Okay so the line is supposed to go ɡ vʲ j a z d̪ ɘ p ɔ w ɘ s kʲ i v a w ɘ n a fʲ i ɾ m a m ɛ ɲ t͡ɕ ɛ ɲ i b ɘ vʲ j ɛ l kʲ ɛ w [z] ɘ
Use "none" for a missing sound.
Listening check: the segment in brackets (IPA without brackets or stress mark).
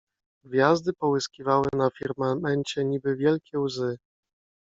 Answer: z